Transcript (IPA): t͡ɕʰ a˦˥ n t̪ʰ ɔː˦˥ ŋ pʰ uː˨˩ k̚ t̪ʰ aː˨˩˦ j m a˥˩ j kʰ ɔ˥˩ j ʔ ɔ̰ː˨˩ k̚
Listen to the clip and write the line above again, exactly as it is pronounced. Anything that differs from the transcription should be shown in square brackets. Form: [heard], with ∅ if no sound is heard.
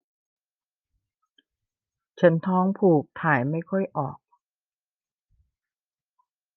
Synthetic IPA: t͡ɕʰ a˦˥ n t̪ʰ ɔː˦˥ ŋ pʰ uː˨˩ k̚ t̪ʰ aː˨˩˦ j m a˥˩ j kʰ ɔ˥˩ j ʔ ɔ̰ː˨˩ k̚